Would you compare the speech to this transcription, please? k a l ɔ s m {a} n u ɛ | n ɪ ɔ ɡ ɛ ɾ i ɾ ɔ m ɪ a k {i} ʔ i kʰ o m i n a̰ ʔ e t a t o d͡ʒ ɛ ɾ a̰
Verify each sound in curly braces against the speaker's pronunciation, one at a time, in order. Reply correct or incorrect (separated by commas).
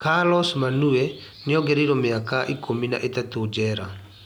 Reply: correct, incorrect